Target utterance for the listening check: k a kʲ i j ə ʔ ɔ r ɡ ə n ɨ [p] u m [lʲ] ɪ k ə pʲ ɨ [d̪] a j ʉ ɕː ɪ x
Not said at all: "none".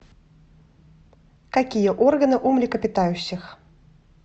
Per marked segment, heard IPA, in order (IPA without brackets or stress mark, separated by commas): ʔ, lʲ, t̪